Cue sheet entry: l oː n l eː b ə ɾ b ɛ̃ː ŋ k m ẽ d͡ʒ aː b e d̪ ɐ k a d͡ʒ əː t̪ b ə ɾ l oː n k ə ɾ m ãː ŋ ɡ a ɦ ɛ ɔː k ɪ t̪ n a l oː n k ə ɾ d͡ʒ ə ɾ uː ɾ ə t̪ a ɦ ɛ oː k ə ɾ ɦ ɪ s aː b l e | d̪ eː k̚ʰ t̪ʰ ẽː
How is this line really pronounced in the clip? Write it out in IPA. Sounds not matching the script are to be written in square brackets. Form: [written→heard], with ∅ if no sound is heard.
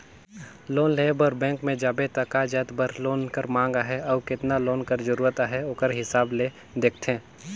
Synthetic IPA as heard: l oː n l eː b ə ɾ b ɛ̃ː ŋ k m ẽ d͡ʒ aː b e [d̪→t̪] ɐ k a d͡ʒ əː t̪ b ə ɾ l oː n k ə ɾ m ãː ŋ ɡ a ɦ ɛ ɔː k ɪ t̪ n a l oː n k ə ɾ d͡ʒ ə ɾ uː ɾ ə t̪ a ɦ ɛ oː k ə ɾ ɦ ɪ s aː b l e | d̪ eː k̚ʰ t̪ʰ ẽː